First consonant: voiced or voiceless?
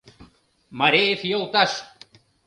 voiced